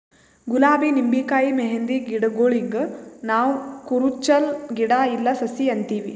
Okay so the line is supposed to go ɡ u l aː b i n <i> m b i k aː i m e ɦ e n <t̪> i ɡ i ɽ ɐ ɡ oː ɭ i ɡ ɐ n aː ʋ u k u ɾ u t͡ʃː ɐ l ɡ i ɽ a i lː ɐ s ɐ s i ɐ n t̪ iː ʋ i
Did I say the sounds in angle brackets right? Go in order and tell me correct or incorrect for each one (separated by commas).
correct, incorrect